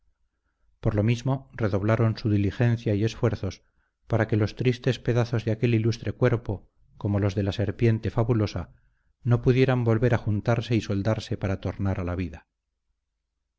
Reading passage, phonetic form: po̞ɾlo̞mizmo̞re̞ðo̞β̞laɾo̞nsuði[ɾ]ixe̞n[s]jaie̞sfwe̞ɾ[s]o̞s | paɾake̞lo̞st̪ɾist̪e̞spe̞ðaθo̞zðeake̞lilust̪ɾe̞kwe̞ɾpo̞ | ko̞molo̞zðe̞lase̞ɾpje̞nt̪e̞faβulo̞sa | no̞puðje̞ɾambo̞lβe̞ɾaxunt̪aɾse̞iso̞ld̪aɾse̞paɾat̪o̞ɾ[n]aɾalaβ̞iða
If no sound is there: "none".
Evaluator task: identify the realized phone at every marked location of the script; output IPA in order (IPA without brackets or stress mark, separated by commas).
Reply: l, θ, θ, n